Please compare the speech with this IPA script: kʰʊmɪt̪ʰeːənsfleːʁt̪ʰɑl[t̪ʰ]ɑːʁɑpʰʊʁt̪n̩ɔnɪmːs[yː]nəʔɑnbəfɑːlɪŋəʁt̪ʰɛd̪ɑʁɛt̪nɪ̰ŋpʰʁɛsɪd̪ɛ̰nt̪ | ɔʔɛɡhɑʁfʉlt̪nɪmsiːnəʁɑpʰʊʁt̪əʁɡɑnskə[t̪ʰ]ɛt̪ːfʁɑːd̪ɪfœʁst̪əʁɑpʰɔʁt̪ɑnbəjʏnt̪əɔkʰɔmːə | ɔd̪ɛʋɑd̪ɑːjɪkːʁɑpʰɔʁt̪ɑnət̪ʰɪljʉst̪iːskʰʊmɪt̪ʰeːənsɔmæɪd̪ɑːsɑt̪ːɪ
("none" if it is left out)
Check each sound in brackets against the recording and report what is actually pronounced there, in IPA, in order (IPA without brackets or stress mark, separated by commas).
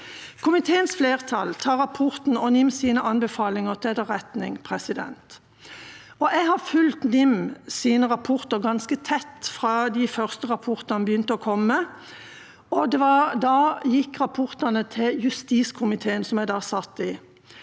t̪ʰ, iː, t̪ʰ